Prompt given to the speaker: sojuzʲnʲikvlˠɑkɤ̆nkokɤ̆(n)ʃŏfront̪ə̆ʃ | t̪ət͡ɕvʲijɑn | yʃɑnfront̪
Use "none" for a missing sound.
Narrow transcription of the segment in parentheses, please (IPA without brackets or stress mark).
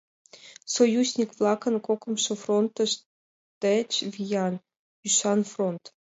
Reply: m